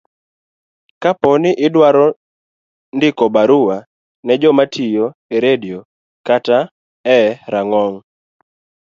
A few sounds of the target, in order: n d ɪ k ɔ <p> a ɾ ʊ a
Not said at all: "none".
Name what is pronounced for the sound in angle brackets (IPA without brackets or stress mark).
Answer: b